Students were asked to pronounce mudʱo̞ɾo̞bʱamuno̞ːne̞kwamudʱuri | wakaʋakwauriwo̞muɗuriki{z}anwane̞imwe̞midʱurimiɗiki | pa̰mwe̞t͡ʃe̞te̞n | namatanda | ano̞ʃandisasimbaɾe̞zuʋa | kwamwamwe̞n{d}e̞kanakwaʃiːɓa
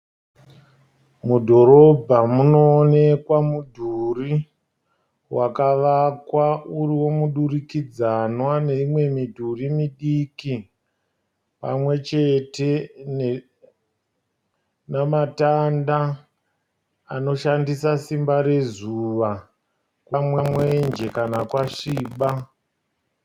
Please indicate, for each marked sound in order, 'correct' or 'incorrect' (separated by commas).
incorrect, incorrect